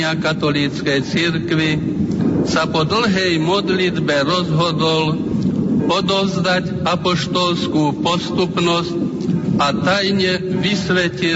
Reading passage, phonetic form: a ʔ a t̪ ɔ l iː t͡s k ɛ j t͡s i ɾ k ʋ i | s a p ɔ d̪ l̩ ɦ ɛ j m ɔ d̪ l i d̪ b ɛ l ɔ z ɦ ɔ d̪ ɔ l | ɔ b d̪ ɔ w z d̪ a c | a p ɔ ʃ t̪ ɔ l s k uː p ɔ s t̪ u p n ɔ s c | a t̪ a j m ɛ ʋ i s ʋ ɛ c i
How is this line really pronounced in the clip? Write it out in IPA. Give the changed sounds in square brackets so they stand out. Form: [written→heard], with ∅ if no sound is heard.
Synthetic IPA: a [ʔ→k] a t̪ ɔ l iː t͡s k ɛ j t͡s i ɾ k ʋ i | s a p ɔ d̪ l̩ ɦ ɛ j m ɔ d̪ l i d̪ b ɛ [l→ɾ] ɔ z ɦ ɔ d̪ ɔ l | ɔ [b→∅] d̪ ɔ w z d̪ a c | a p ɔ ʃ t̪ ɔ l s k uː p ɔ s t̪ u p n ɔ s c | a t̪ a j [m→ɲ] ɛ ʋ i s ʋ ɛ c i